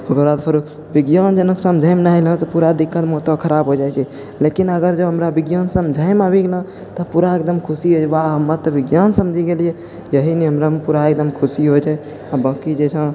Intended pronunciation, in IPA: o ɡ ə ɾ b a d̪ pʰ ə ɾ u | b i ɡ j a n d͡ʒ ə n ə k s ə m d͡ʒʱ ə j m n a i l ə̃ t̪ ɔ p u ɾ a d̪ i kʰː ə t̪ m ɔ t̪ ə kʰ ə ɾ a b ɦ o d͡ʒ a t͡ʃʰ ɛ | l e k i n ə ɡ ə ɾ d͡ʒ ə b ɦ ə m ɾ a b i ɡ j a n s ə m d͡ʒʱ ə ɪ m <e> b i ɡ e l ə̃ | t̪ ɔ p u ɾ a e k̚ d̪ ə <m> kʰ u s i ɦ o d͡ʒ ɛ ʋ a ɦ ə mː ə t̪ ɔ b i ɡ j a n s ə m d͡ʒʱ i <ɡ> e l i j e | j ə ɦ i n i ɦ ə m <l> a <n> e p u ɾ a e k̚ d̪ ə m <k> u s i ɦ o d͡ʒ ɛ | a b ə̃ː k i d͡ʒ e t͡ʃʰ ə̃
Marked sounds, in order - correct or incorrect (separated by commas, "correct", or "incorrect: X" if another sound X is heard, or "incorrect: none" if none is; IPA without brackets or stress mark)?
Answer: incorrect: a, correct, correct, incorrect: ɾ, incorrect: m, incorrect: kʰ